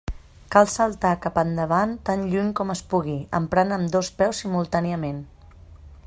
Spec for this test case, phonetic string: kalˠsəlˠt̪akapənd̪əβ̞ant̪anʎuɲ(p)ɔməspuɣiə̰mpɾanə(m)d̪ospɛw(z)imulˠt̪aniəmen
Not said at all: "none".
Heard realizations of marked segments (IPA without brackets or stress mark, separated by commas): k, m, s